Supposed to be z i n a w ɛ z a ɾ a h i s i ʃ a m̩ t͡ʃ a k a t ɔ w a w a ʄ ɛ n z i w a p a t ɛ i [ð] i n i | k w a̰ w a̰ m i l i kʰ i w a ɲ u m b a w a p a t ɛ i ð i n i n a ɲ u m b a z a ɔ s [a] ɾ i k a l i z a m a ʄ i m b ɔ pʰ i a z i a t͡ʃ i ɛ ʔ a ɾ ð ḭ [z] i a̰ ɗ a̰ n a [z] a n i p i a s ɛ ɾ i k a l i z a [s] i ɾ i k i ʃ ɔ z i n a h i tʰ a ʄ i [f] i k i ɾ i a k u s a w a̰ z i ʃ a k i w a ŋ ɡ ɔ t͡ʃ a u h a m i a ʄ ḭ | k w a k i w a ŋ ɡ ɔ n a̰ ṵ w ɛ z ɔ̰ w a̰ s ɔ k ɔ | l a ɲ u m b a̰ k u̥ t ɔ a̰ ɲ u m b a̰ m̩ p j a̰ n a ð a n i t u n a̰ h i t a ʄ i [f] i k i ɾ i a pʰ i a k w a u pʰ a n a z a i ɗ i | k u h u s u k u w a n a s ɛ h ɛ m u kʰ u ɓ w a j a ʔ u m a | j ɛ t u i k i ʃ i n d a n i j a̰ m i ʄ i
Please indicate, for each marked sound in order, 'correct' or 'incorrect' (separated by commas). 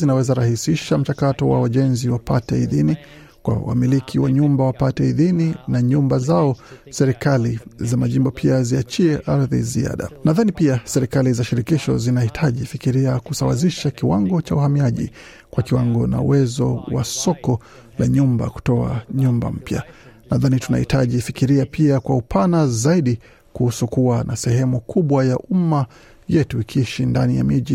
correct, incorrect, correct, incorrect, incorrect, correct, correct